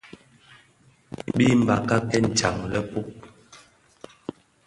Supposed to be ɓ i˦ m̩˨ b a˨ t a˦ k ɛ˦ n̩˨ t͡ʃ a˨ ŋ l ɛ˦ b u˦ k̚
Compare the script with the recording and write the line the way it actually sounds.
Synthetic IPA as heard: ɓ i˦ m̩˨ b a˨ k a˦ k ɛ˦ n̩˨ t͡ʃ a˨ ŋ l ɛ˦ p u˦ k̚